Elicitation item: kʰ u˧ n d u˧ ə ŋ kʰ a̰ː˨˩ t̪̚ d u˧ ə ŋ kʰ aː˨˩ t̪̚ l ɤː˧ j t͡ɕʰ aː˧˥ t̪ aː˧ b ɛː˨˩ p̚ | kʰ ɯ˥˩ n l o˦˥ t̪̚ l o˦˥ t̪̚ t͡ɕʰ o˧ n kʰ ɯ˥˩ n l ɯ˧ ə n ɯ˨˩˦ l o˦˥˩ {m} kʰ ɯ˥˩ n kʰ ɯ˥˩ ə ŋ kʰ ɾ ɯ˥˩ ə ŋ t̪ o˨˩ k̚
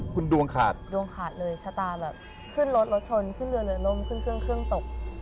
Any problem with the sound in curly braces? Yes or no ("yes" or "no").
no